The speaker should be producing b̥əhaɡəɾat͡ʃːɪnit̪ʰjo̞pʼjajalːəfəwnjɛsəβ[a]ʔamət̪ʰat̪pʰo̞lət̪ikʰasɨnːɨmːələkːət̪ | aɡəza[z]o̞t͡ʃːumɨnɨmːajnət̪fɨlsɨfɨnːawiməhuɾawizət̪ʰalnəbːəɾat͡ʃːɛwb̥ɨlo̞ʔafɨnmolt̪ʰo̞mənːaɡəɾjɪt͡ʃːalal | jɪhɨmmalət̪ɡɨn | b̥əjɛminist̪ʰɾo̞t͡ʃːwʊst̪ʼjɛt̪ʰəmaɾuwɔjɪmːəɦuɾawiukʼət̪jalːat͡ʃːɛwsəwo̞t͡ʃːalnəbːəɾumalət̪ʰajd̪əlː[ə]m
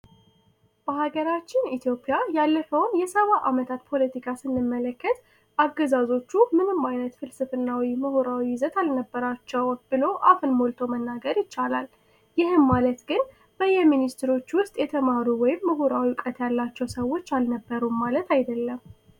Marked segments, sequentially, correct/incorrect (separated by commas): correct, correct, correct